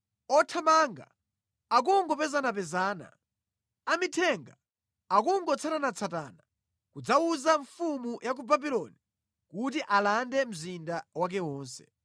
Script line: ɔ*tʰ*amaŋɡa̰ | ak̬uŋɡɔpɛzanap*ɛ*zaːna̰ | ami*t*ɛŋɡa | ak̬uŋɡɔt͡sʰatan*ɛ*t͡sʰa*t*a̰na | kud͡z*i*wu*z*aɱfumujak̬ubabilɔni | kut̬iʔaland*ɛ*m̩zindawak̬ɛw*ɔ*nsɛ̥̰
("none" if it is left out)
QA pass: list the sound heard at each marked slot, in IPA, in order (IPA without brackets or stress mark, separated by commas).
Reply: tʰ, ɛ, tʰ, a, t, a, z, ɛ, ɔː